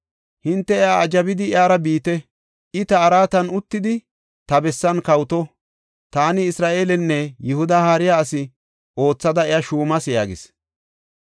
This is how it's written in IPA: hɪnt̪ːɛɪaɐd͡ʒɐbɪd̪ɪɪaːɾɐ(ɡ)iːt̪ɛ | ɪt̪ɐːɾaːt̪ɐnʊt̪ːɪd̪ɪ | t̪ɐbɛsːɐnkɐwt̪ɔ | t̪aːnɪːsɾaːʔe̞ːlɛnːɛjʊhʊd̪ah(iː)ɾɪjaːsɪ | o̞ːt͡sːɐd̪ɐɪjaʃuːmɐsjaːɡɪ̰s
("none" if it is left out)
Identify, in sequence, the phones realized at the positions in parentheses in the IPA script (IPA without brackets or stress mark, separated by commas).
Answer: b, aː